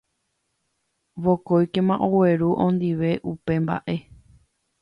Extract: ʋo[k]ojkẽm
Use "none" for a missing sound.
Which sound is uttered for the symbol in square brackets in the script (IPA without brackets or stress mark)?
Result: k